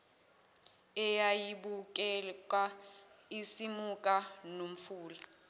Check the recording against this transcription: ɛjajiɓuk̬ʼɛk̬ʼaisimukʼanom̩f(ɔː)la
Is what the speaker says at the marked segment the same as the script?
no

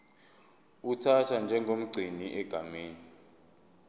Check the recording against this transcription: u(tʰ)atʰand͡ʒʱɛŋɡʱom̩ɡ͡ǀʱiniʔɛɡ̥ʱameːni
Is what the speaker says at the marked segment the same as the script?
yes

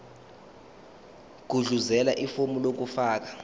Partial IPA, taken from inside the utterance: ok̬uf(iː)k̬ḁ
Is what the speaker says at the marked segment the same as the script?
no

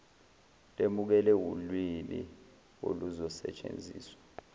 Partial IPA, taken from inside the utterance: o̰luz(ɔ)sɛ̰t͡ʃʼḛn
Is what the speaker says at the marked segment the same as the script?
yes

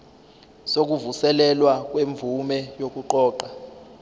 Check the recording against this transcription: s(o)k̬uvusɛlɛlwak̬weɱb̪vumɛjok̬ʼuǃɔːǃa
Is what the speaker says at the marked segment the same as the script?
yes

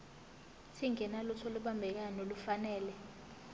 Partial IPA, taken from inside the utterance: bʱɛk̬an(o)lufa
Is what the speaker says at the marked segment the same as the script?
yes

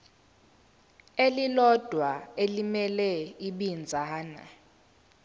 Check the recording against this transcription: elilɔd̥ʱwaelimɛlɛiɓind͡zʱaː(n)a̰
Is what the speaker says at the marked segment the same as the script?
yes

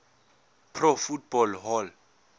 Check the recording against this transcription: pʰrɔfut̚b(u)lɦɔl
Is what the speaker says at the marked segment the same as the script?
no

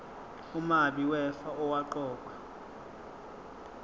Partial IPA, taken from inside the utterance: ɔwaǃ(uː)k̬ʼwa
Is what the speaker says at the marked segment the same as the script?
no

